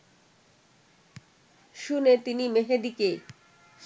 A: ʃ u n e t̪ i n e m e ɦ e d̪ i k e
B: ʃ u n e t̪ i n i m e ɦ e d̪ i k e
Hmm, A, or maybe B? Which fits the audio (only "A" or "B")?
B